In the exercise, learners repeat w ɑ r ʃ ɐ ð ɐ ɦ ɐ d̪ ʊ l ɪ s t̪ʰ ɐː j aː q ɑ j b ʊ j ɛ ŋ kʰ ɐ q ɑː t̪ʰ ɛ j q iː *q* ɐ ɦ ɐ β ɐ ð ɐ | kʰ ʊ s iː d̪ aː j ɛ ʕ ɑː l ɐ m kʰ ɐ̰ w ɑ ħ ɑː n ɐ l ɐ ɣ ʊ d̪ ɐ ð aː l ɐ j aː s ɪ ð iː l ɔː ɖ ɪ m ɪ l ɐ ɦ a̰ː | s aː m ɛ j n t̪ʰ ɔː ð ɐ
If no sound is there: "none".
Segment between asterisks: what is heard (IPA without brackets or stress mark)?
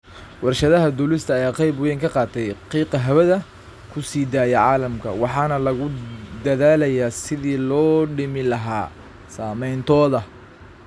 q